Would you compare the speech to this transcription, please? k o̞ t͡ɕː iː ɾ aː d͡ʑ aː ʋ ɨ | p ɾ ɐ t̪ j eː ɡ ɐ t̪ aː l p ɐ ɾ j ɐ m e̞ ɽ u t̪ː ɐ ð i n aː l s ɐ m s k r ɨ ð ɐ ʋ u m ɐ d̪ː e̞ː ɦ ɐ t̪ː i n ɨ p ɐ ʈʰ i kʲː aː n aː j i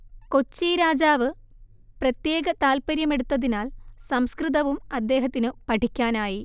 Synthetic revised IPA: k o̞ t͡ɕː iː ɾ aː d͡ʑ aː ʋ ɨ | p r ɐ t̪ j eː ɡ ɐ t̪ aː l p ɐ ɾ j ɐ m e̞ ɽ u t̪ː ɐ ð i n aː l s ɐ m s k r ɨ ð ɐ ʋ u m ɐ d̪ː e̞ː ɦ ɐ t̪ː i n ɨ p ɐ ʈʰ i kʲː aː n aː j i